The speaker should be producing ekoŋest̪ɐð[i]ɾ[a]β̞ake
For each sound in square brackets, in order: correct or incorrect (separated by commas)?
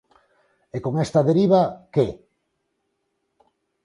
incorrect, incorrect